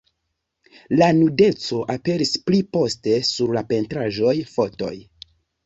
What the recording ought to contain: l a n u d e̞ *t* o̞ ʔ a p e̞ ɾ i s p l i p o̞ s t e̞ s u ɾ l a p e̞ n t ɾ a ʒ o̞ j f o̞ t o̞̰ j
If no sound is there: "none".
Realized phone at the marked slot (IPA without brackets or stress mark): t͡s